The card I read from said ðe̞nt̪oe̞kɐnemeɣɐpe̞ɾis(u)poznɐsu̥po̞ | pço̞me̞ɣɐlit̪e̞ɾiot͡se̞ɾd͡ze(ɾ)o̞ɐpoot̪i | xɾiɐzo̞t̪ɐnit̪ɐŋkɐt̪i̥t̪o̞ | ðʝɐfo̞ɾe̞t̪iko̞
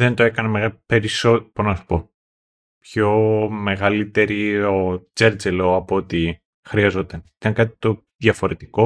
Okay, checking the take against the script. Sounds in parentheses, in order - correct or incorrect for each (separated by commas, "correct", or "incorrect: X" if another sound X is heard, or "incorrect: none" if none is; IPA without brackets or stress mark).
incorrect: o, incorrect: l